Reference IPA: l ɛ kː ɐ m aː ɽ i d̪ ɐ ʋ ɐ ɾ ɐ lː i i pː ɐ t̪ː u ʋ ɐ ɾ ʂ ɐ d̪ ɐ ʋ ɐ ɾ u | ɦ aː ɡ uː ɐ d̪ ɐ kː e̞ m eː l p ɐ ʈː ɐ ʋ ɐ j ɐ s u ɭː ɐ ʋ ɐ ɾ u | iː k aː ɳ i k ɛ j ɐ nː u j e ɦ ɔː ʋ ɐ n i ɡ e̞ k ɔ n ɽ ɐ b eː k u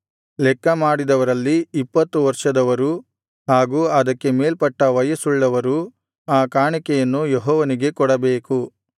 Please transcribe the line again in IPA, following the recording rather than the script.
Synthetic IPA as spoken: l ɛ kː ɐ m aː ɽ i d̪ ɐ ʋ ɐ ɾ ɐ lː i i pː ɐ t̪ː u ʋ ɐ ɾ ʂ ɐ d̪ ɐ ʋ ɐ ɾ u | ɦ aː ɡ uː ɐ d̪ ɐ kː e̞ m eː l p ɐ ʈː ɐ ʋ ɐ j ɐ s u ɭː ɐ ʋ ɐ ɾ u | aː k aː ɳ i k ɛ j ɐ nː u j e ɦ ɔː ʋ ɐ n i ɡ e̞ k ɔ ɽ ɐ b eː k u